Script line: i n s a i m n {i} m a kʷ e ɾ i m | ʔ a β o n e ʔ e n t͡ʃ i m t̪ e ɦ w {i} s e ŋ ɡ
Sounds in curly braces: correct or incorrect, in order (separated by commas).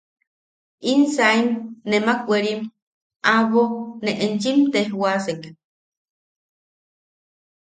incorrect, incorrect